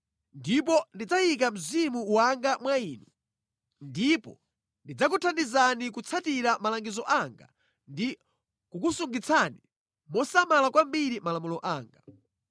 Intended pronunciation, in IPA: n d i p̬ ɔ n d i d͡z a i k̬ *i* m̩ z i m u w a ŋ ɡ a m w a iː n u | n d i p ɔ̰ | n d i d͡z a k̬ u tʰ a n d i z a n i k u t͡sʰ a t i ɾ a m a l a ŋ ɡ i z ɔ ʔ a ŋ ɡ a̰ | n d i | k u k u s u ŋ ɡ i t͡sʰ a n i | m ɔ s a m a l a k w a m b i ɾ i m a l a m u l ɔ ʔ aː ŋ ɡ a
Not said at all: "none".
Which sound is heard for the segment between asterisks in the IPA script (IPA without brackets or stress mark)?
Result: a